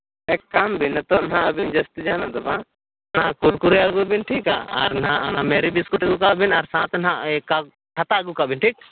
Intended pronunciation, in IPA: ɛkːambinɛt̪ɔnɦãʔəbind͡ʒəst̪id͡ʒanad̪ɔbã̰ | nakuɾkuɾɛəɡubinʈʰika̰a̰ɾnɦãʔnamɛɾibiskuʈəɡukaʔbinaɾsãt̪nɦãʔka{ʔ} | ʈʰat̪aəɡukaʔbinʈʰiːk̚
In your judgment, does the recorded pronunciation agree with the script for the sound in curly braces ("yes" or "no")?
no